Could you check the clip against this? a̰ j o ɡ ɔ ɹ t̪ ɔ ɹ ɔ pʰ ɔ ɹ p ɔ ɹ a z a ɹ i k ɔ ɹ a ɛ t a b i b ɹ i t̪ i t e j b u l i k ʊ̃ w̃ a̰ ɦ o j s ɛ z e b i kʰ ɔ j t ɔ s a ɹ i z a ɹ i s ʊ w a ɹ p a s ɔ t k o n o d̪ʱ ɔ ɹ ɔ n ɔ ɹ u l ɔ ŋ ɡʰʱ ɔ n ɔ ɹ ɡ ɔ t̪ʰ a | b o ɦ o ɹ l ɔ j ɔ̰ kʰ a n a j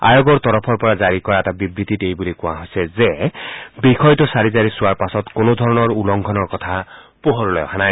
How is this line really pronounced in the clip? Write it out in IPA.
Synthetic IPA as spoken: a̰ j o ɡ ɔ ɹ t̪ ɔ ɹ ɔ pʰ ɔ ɹ p ɔ ɹ a z a ɹ i k ɔ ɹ a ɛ t a b i b ɹ i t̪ i t e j b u l i k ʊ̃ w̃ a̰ ɦ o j s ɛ z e b i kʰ ɔ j t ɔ s a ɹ i z a ɹ i s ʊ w a ɹ p a s ɔ t k o n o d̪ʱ ɔ ɹ ɔ n ɔ ɹ u l ɔ ŋ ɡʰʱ ɔ n ɔ ɹ k ɔ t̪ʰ a | p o ɦ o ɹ l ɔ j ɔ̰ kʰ a n a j